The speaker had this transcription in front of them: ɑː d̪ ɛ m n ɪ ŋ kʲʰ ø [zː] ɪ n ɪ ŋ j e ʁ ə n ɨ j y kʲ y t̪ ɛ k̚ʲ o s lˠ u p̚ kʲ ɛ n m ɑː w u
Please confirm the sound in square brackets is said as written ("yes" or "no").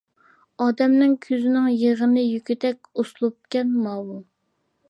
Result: no